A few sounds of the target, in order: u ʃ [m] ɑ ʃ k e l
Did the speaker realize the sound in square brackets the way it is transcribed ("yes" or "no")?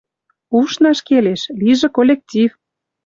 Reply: no